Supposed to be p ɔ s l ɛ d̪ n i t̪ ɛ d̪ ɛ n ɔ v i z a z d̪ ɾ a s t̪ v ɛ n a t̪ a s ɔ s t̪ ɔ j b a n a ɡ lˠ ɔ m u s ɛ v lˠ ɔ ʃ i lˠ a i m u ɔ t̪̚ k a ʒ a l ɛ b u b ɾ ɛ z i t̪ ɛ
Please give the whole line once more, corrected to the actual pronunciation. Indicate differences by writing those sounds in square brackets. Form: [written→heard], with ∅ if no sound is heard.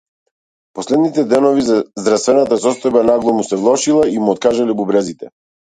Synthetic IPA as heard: p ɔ s l ɛ d̪ n i t̪ ɛ d̪ ɛ n ɔ v i z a z d̪ ɾ a s t̪ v ɛ n a t̪ a s ɔ s t̪ ɔ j b a n a ɡ lˠ ɔ m u s ɛ v lˠ ɔ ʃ i lˠ a i m u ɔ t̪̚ k a ʒ a l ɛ b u b ɾ ɛ z i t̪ ɛ